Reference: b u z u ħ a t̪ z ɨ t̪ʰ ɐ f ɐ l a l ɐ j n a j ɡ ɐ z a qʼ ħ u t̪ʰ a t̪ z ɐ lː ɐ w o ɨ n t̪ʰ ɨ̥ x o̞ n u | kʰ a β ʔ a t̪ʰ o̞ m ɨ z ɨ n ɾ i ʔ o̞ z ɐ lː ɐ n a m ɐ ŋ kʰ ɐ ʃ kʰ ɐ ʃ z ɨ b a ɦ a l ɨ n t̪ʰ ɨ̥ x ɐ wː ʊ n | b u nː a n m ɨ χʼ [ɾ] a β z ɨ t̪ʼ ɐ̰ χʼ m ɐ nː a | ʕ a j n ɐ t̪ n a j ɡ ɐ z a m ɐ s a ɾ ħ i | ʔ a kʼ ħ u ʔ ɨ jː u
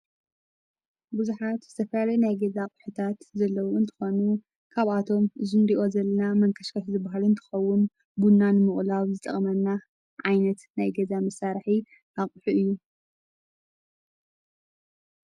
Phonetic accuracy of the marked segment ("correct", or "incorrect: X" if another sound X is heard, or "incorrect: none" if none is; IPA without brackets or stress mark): incorrect: l